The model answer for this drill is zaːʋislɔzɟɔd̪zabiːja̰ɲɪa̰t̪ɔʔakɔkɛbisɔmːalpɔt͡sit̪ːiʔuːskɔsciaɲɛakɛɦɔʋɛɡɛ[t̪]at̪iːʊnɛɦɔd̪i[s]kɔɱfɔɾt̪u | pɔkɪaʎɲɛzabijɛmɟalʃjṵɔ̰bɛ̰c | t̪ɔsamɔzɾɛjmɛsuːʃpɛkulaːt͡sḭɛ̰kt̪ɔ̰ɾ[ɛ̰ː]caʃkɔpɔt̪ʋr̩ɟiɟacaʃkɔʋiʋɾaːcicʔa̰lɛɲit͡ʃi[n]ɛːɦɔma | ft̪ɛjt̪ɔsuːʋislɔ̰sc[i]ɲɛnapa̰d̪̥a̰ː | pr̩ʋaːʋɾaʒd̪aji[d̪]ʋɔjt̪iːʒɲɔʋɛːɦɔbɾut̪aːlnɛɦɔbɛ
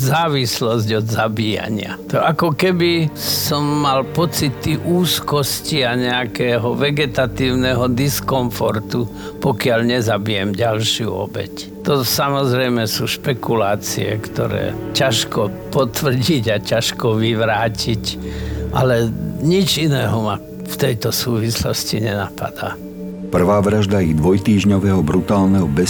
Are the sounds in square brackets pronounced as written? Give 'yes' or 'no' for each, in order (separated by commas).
yes, yes, yes, yes, yes, yes